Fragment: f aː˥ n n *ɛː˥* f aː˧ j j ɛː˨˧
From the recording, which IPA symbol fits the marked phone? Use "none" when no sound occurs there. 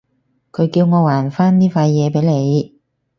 iː˥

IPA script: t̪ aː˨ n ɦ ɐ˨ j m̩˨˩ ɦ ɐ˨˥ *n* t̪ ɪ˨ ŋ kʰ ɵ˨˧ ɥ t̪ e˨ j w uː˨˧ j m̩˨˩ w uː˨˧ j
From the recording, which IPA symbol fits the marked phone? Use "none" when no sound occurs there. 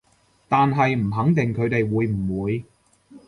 ŋ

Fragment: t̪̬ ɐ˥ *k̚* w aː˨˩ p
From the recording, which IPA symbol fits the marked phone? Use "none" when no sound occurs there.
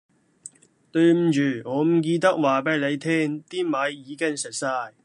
k̚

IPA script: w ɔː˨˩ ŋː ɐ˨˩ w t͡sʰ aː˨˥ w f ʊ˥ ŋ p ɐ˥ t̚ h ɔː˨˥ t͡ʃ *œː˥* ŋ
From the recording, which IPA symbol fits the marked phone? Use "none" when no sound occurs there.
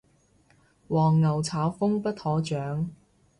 œː˨˥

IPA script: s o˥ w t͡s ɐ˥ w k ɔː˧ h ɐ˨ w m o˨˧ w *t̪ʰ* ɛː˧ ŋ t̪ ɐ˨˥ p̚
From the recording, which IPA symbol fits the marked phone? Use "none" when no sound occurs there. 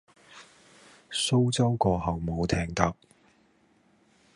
t̪ʰ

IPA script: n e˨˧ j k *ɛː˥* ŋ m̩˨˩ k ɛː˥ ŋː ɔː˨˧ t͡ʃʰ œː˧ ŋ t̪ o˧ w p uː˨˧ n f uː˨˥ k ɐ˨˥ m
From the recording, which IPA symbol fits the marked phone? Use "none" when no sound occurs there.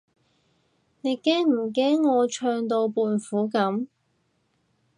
ɛː˥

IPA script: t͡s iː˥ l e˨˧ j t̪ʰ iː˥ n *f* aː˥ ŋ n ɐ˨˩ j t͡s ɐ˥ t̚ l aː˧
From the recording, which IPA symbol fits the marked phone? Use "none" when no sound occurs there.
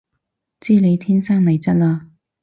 s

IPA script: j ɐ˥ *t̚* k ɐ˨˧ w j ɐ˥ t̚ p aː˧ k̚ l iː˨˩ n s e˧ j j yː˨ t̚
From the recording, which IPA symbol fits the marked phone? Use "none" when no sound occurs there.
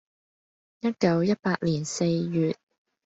t̚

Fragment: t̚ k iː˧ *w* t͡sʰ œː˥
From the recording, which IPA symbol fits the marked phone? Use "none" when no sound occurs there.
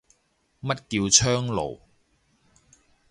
w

